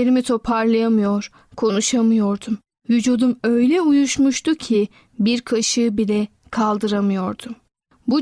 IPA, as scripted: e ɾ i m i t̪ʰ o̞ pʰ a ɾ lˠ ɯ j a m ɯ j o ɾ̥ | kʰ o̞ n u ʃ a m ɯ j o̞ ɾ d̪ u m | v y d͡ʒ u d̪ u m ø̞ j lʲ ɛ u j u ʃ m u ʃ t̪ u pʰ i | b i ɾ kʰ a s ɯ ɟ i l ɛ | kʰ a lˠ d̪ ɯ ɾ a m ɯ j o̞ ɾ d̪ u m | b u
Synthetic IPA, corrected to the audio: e ɾ i m i t̪ʰ o̞ pʰ a ɾ lˠ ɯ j a m ɯ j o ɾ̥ | kʰ o̞ n u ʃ a m ɯ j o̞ ɾ d̪ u m | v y d͡ʒ u d̪ u m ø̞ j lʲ ɛ u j u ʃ m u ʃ t̪ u cʰ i | b i ɾ kʰ a ʃ ɯ b i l ɛ | kʰ a lˠ d̪ ɯ ɾ a m ɯ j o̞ ɾ d̪ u m | b u